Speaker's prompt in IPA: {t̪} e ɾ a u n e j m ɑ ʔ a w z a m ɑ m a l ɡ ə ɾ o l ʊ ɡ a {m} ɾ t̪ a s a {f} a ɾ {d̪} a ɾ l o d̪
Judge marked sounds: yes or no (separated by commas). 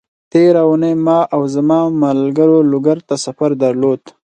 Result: yes, no, yes, yes